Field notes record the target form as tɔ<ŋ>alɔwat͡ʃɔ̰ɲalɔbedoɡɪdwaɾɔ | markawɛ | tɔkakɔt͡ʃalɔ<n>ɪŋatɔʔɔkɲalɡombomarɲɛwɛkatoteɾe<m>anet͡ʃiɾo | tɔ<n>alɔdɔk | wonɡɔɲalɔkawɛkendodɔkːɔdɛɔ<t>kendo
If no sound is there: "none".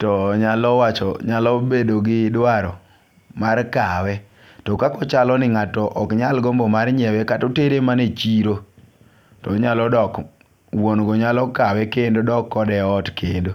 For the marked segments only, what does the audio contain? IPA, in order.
ɲ, n, m, ɲ, t

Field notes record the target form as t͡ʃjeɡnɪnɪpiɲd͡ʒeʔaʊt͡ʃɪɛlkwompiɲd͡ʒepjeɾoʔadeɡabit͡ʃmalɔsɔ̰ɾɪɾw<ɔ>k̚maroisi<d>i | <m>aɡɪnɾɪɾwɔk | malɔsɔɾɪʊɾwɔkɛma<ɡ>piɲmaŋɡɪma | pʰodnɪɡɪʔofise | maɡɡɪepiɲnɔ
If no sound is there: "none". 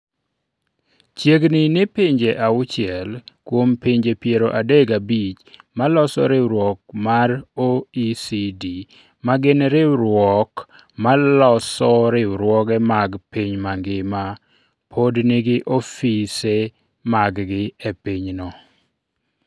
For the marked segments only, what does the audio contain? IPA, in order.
ɔ, d, m, ɡ

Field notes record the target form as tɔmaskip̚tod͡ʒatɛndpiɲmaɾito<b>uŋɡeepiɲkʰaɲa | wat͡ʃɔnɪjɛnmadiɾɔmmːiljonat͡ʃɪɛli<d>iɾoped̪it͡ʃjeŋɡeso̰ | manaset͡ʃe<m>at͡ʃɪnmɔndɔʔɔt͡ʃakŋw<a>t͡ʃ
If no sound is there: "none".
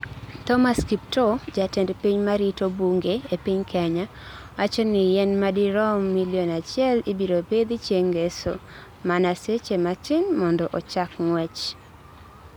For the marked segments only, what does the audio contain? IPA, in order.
b, b, m, ɛ

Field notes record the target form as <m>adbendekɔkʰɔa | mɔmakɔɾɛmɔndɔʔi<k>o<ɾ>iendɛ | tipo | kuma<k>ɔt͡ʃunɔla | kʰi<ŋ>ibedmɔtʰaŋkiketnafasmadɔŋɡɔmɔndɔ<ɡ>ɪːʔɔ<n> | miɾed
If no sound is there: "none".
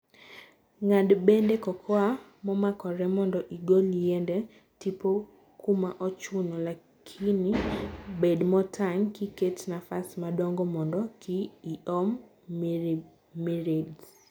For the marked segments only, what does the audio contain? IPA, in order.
ŋ, ɡ, l, ʔ, n, k, m

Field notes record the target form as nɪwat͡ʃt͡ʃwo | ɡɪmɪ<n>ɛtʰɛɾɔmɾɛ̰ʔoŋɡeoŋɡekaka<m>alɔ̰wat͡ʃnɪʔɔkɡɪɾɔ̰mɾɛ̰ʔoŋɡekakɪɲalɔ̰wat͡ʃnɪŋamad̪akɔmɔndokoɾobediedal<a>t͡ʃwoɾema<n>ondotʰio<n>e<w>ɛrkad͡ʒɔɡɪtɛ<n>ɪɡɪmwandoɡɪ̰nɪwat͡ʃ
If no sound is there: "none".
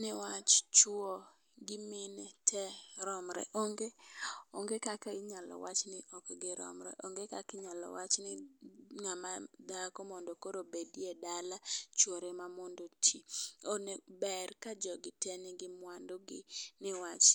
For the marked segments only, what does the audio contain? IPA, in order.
n, ɲ, a, m, n, b, n

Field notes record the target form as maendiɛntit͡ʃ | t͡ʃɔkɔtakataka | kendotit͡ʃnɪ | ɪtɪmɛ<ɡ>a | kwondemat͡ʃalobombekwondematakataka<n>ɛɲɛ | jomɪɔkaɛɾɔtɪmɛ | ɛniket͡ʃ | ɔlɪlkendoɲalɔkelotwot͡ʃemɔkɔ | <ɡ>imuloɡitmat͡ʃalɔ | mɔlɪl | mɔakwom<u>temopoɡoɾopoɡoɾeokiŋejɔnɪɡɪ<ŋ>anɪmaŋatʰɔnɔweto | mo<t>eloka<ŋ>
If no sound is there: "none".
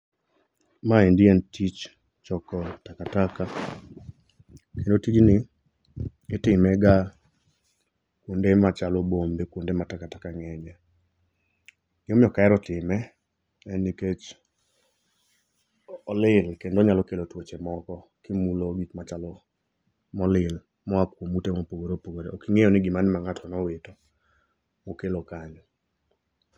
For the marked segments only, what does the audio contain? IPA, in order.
ɡ, ŋ, k, u, m, k, ɲ

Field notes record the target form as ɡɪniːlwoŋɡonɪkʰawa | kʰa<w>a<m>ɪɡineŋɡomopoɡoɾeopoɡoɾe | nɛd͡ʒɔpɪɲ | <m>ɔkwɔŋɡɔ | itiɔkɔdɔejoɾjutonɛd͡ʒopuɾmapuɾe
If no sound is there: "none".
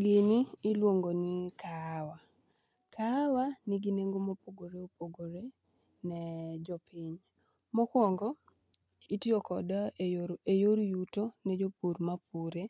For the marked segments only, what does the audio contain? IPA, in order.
w, n, m

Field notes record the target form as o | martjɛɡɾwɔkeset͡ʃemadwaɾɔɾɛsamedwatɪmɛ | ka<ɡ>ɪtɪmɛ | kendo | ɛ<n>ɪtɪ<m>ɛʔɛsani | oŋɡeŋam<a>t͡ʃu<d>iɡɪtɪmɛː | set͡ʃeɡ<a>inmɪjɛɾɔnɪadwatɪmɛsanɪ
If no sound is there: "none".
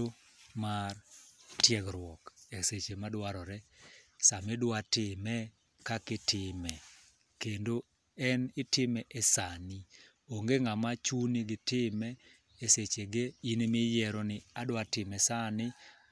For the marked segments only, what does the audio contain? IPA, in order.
k, n, m, a, n, e

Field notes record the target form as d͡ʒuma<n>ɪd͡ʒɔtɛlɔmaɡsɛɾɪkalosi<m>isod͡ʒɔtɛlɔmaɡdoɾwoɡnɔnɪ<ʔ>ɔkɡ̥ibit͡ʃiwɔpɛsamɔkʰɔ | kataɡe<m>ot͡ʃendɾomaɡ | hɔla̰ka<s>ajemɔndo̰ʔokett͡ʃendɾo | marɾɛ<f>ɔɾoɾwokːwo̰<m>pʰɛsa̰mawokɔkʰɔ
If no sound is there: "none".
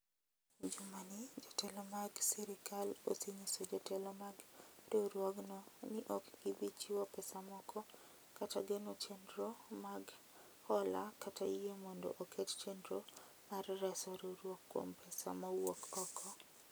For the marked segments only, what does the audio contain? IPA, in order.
n, ɲ, ʔ, n, t, s, m

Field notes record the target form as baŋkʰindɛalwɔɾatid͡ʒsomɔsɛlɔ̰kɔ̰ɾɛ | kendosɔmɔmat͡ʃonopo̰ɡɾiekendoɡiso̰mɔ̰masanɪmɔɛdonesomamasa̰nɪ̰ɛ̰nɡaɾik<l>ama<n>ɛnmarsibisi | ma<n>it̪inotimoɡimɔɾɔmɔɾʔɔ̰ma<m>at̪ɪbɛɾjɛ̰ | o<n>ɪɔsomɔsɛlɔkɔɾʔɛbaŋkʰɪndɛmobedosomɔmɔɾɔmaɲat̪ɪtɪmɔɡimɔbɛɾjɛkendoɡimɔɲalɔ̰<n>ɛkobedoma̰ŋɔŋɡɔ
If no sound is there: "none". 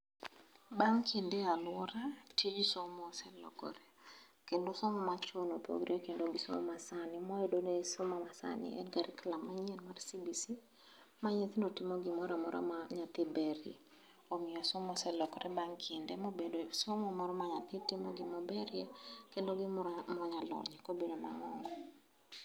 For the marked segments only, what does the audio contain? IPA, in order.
l, ɲ, ɲ, ɲ, m, ɲ

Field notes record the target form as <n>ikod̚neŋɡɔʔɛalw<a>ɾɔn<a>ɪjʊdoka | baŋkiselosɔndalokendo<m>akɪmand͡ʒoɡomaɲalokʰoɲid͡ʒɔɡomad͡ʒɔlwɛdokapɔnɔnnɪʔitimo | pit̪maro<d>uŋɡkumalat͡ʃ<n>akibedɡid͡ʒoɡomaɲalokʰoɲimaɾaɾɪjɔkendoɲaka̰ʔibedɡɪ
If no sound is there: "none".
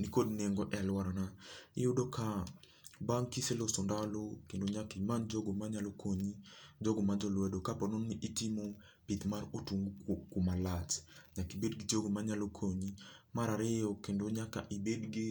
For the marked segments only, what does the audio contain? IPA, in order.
n, a, a, ɲ, t, ɲ

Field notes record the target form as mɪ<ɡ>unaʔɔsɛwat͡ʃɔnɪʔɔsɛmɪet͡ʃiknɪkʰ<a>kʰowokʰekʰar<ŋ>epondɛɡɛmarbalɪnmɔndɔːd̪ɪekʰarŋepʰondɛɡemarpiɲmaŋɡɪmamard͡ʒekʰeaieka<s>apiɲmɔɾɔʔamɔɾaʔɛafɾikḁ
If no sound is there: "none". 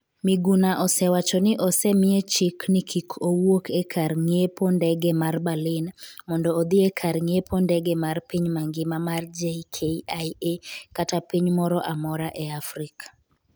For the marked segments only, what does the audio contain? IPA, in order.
ɡ, i, ŋ, t

